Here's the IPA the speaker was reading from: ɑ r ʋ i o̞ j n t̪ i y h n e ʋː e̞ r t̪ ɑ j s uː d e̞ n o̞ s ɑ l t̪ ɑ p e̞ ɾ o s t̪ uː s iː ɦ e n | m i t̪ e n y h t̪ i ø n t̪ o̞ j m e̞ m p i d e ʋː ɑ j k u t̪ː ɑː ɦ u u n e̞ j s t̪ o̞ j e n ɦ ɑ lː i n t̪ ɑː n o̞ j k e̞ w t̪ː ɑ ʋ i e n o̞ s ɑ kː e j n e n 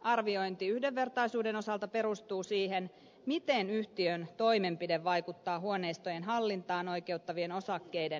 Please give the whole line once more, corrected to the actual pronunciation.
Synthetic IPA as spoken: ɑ r ʋ i o̞ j n t̪ i y h d e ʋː e̞ r t̪ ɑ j s uː d e̞ n o̞ s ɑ l t̪ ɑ p e̞ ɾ u s t̪ uː s iː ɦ e n | m i t̪ e n y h t̪ i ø n t̪ o̞ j m e̞ m p i d e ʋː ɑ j k u t̪ː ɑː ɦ u o n e̞ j s t̪ o̞ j e n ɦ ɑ lː i n t̪ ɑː n o̞ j k e̞ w t̪ː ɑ ʋ i e n o̞ s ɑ kː e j d e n